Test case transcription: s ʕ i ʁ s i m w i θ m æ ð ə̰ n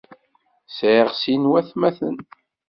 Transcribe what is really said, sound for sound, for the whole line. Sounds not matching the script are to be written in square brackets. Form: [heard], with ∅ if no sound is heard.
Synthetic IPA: s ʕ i ʁ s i [n] w [æ] θ m æ [θ] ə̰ n